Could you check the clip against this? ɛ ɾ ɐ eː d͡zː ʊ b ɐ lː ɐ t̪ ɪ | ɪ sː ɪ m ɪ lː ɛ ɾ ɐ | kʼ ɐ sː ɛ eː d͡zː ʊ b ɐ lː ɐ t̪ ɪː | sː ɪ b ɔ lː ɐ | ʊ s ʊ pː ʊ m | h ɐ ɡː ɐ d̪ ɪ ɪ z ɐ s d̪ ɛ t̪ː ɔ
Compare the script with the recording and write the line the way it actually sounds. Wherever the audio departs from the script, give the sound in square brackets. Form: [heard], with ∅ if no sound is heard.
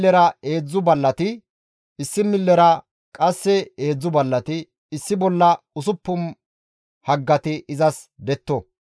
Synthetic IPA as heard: ɛ ɾ ɐ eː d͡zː ʊ b ɐ lː ɐ t̪ ɪ | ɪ sː ɪ m ɪ lː ɛ ɾ ɐ | kʼ ɐ sː ɛ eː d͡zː ʊ b ɐ lː ɐ t̪ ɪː | sː ɪ b ɔ lː ɐ | ʊ s ʊ pː ʊ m | h ɐ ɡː ɐ [t̪] ɪ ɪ z ɐ s d̪ ɛ t̪ː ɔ